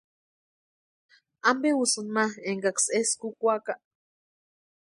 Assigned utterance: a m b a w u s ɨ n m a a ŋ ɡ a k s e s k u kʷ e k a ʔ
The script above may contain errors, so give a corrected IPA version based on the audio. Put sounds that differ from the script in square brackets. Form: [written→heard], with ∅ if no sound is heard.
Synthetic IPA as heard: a m b [a→e] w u s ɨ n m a [a→e] ŋ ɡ a k s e s k u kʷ [e→a] k a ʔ